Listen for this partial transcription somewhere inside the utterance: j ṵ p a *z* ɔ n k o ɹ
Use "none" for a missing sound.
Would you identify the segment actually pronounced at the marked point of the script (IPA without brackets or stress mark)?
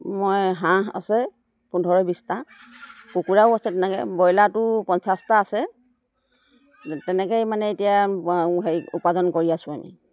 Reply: z